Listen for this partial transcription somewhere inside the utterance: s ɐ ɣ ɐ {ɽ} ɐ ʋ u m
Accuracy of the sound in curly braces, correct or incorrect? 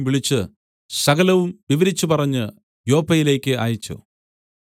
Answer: incorrect